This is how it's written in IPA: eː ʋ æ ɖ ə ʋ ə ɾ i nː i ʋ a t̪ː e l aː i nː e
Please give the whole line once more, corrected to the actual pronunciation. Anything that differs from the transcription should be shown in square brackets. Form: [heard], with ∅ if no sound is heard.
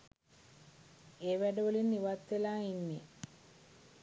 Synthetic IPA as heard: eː ʋ æ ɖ ə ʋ ə [l] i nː i ʋ a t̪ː e l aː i nː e